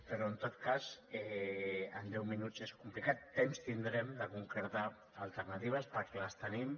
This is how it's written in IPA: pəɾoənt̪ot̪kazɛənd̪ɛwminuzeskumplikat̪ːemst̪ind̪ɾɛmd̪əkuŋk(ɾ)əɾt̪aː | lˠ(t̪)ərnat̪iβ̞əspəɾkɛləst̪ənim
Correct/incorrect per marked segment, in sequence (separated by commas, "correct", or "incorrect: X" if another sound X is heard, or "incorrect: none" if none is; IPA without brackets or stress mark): correct, correct